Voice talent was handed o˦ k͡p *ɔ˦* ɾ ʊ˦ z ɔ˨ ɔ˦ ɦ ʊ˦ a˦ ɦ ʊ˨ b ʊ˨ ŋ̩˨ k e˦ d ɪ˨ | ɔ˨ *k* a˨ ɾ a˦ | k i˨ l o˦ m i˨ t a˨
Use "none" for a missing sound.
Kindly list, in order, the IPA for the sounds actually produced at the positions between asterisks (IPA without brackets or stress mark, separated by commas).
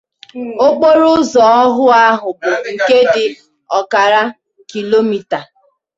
o˦, k